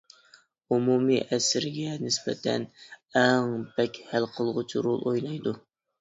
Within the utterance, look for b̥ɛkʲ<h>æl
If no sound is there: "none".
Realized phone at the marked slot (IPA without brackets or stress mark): h